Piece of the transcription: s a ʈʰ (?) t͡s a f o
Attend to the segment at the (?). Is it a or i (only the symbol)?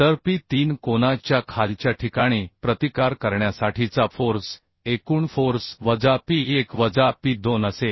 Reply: i